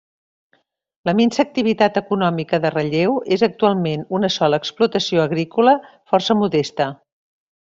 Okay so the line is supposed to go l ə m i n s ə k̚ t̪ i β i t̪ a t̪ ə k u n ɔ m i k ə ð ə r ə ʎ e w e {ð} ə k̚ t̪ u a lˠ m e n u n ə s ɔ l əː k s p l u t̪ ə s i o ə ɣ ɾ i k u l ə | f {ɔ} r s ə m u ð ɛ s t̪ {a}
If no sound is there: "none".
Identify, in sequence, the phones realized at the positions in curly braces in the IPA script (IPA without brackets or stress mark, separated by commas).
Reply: z, ɔ, ə